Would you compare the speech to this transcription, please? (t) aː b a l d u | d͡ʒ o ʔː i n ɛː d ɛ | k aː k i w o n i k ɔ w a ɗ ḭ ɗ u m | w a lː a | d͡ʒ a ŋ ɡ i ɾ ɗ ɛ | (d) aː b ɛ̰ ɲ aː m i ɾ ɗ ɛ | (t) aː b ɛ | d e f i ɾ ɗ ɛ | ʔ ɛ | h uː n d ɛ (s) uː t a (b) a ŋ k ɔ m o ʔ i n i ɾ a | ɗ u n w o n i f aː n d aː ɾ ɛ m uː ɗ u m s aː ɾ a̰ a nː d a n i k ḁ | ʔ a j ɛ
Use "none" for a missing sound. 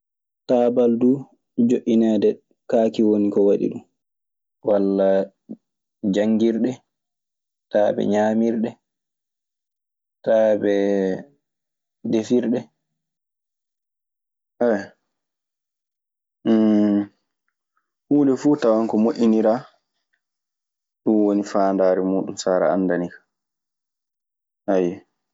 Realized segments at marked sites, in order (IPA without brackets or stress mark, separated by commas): t, t, t, f, w